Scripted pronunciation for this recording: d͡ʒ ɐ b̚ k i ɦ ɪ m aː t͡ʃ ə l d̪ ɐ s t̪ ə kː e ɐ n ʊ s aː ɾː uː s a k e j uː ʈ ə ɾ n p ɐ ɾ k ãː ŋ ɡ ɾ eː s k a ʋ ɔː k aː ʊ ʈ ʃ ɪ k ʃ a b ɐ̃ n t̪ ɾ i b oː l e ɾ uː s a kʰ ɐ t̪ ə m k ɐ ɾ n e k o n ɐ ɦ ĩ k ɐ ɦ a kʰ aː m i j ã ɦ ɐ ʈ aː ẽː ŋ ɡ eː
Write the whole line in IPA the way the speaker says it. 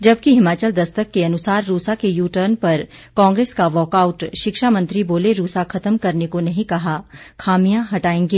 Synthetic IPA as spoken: d͡ʒ ɐ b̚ k i ɦ ɪ m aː t͡ʃ ə l d̪ ɐ s t̪ ə kː e ɐ n ʊ s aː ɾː uː s a k e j uː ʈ ə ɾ n p ɐ ɾ k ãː ŋ ɡ ɾ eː s k a ʋ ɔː k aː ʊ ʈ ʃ ɪ k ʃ a m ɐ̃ n t̪ ɾ i b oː l e ɾ uː s a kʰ ɐ t̪ ə m k ɐ ɾ n e k o n ɐ ɦ ĩ k ɐ ɦ a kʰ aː m i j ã ɦ ɐ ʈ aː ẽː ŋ ɡ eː